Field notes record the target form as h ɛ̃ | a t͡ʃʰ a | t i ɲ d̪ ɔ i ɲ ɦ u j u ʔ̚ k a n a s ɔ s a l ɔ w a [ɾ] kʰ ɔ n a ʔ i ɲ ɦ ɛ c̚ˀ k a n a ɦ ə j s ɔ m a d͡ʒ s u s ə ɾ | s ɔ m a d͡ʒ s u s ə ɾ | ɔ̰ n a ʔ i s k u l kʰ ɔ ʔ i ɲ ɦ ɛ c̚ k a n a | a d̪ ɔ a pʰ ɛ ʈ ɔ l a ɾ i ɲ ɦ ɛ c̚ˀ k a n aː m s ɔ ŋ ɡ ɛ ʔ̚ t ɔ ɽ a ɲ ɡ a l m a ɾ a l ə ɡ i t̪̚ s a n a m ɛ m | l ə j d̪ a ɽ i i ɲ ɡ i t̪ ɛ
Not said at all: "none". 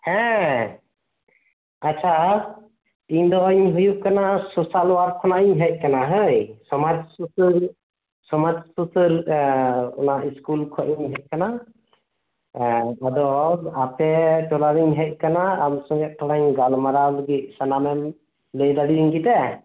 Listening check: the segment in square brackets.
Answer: ɾ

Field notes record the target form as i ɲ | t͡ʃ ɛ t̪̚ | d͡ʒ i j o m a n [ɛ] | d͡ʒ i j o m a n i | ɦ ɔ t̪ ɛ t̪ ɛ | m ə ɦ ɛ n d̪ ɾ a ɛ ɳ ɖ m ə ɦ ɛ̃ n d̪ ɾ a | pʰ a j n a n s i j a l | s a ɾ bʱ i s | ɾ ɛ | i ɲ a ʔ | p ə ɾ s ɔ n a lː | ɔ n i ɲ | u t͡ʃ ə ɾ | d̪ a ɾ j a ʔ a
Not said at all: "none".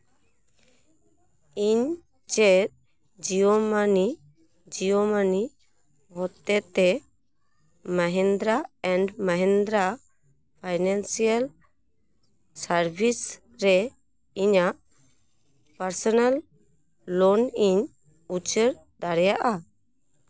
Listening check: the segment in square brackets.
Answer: i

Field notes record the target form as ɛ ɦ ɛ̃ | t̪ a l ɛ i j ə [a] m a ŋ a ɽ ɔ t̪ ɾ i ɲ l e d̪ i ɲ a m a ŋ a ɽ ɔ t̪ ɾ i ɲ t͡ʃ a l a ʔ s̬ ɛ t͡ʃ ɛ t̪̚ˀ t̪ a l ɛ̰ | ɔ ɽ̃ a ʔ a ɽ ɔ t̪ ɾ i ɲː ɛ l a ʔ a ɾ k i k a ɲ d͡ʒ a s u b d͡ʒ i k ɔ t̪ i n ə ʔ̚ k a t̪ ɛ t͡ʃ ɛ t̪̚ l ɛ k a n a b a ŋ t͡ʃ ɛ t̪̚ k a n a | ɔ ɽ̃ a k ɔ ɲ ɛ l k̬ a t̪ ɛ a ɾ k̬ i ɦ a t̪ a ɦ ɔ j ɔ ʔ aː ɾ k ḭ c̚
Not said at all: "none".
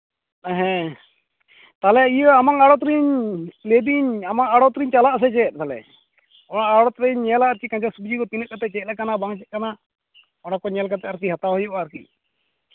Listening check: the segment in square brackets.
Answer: a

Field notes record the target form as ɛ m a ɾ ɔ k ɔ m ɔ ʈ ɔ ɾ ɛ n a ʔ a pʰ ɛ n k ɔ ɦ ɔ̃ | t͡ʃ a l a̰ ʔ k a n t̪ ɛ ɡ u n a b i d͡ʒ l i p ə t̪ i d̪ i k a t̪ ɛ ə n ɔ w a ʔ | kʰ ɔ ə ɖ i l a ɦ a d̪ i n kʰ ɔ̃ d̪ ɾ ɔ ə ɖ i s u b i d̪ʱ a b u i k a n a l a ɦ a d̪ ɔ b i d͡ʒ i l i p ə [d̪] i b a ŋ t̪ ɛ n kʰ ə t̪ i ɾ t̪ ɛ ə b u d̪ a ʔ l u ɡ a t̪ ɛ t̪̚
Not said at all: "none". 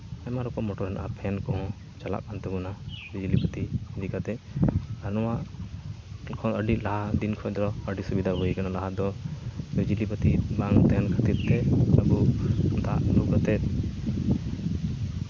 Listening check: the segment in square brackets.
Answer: t̪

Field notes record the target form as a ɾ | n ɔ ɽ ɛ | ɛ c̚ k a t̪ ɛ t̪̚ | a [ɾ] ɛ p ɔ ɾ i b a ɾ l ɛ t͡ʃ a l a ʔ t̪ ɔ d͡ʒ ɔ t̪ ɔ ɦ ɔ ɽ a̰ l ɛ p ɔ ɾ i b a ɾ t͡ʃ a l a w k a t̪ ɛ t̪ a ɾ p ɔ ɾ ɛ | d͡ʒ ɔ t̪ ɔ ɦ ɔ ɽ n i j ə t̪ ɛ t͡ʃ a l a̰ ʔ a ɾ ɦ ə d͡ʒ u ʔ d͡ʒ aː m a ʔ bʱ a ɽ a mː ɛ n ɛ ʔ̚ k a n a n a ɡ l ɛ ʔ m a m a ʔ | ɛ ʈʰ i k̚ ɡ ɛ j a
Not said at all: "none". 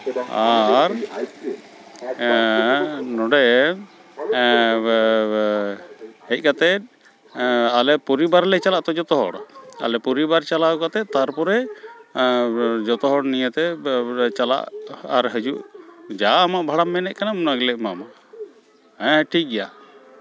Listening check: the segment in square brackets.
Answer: l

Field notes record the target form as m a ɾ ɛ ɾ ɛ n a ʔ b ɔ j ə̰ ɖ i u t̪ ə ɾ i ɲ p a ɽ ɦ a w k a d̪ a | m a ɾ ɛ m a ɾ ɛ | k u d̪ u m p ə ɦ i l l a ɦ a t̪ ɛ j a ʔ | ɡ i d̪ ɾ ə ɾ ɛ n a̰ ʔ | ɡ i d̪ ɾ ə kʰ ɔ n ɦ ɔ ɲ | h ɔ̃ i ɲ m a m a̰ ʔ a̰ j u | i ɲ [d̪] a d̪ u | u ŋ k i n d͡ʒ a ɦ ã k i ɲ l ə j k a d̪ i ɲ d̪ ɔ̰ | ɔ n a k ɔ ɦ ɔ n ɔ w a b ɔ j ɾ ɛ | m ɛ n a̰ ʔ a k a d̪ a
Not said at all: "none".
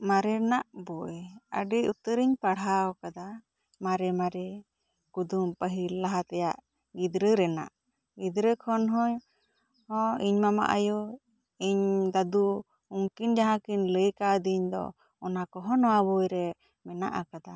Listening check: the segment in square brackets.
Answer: d̪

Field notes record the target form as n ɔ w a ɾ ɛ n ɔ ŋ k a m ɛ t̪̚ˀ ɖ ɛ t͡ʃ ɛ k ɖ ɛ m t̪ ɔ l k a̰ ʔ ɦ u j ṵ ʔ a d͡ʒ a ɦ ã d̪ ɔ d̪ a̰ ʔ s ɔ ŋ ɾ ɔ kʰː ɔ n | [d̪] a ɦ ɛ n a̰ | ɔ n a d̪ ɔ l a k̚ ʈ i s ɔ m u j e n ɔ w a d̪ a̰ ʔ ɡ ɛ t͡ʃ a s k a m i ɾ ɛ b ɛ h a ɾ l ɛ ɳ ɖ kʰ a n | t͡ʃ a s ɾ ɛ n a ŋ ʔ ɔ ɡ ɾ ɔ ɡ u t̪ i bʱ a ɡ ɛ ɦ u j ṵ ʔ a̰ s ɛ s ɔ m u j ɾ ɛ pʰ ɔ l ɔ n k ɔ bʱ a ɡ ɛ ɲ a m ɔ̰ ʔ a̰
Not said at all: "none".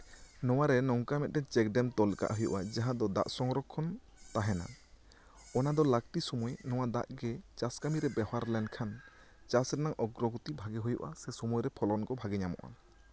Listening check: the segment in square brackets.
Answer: t̪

